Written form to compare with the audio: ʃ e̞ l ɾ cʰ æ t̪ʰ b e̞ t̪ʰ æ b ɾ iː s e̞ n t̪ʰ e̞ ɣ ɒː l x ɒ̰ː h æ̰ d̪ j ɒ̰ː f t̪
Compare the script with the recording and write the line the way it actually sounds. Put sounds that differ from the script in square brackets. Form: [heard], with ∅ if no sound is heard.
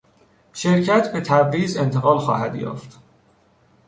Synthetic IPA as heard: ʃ e̞ [∅] ɾ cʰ æ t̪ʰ b e̞ t̪ʰ æ b ɾ iː [z] e̞ n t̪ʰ e̞ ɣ ɒː l x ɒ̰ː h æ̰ d̪ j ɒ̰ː f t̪